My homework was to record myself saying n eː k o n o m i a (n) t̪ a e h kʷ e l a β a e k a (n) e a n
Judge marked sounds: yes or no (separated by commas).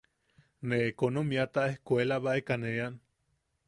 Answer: no, yes